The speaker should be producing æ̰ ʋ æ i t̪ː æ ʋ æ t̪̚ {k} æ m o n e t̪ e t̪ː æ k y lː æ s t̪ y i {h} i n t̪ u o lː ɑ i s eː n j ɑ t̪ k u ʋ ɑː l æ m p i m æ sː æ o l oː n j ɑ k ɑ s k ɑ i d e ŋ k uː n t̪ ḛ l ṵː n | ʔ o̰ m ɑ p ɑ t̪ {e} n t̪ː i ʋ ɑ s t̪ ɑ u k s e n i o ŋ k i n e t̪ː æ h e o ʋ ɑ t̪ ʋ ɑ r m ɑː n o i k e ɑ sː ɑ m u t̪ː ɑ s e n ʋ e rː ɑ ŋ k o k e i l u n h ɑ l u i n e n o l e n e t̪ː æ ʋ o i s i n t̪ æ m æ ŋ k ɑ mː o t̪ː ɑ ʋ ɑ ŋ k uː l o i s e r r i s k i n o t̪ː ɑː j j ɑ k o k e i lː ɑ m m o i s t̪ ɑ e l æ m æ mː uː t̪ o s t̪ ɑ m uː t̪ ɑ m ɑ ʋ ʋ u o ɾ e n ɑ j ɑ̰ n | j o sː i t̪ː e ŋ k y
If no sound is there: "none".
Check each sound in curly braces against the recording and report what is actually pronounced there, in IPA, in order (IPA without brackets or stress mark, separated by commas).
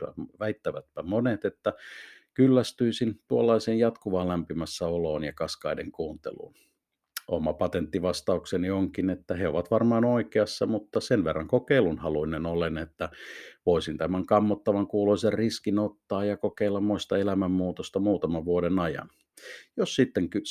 p, s, e